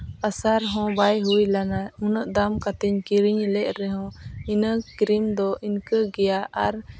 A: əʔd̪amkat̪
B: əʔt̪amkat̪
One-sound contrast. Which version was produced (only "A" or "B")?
A